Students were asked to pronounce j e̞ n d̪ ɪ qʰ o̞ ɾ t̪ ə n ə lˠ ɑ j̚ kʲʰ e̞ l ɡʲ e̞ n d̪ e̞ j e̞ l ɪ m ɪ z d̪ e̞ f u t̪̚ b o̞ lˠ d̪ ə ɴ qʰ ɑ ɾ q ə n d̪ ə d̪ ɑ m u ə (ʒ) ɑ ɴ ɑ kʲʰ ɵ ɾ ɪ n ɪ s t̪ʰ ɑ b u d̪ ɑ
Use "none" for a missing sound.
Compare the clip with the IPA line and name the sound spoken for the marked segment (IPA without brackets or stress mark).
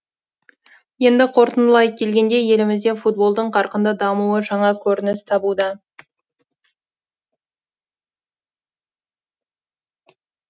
ʒ